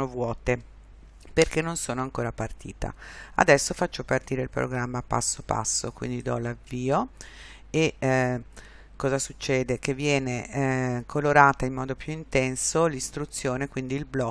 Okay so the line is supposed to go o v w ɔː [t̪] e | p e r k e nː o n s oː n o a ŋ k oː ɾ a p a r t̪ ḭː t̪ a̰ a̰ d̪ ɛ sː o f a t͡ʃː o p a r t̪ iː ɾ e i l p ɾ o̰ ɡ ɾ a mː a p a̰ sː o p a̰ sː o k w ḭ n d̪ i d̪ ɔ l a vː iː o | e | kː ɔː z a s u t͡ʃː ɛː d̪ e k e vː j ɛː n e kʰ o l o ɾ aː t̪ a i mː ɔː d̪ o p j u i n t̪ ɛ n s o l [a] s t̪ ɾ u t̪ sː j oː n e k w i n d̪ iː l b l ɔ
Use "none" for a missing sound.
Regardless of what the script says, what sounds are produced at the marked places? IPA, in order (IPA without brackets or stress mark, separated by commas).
t̪, i